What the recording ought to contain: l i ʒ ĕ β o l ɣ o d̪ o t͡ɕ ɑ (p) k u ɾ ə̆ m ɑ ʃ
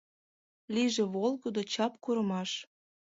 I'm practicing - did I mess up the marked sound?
no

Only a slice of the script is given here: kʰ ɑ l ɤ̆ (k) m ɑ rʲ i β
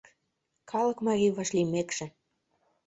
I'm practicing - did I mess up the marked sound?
no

